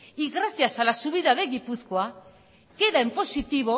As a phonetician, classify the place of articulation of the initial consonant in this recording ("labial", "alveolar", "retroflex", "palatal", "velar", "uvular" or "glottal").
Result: velar